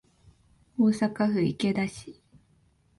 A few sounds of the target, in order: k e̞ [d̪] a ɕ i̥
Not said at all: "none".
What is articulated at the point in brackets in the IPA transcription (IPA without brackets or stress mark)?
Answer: d̪